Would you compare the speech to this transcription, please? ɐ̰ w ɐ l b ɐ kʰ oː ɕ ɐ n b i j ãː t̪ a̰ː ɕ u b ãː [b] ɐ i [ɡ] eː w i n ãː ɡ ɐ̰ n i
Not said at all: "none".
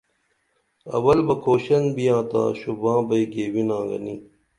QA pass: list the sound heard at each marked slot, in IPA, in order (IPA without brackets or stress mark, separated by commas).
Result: b, ɡ